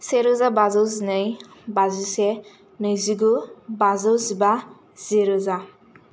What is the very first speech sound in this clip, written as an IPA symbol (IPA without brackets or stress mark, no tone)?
s